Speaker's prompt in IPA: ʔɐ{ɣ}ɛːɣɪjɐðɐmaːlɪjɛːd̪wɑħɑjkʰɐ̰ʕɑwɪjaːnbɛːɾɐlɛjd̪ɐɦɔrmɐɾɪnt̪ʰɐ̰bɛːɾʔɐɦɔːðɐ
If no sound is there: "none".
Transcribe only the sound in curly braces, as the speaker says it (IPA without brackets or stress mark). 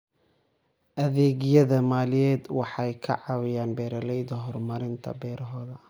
ð